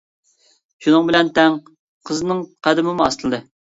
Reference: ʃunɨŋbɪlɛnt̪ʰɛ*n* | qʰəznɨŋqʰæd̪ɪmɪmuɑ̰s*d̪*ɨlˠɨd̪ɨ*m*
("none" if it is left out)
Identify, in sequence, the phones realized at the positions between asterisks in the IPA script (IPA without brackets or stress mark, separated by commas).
ŋ, t̪, none